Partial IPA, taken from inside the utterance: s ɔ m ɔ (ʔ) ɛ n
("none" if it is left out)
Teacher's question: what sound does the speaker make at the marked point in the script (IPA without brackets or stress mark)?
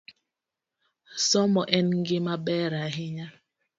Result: ʔ